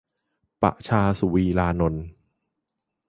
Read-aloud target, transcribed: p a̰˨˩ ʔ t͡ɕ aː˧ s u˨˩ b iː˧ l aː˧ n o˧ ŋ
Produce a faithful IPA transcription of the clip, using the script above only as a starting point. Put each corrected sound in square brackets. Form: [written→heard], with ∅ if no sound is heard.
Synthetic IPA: p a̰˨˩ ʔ [t͡ɕ→t͡ɕʰ] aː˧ s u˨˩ [b→w] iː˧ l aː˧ n o˧ [ŋ→n]

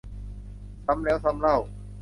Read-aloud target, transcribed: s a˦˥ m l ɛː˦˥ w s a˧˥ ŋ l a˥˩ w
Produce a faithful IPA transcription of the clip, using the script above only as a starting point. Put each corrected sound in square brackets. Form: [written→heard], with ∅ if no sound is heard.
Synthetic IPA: s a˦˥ m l ɛː˦˥ w s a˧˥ [ŋ→m] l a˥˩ w

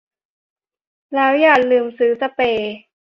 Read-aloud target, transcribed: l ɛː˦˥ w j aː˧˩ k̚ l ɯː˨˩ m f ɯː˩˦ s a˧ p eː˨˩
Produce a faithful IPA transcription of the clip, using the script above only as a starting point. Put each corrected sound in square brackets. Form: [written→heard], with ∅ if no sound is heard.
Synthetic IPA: l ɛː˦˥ w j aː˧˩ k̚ l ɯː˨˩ m [f→s] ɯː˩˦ s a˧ p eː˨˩

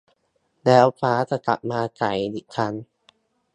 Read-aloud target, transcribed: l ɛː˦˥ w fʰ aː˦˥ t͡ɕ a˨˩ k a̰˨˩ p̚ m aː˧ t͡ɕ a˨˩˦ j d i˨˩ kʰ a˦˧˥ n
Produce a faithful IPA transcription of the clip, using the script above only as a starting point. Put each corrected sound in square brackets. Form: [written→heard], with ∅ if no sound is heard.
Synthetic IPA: l ɛː˦˥ w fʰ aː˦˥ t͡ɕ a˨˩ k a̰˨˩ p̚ m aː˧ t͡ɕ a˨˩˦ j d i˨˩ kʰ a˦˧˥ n

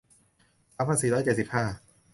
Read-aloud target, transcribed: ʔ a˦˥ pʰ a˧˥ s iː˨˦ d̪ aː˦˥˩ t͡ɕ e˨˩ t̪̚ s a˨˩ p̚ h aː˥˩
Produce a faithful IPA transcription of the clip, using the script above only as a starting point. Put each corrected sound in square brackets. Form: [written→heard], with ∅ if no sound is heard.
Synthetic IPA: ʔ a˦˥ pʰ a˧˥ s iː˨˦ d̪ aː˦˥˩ t͡ɕ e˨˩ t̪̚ s [a˨˩→i˨˩] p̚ h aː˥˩

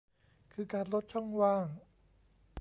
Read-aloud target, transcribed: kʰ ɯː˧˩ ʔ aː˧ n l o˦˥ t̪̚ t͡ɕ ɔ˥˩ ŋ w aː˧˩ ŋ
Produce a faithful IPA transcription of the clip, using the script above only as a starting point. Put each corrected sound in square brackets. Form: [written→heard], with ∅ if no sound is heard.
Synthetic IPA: kʰ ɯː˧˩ [ʔ→k] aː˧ n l o˦˥ t̪̚ [t͡ɕ→t͡ɕʰ] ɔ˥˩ ŋ w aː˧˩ ŋ

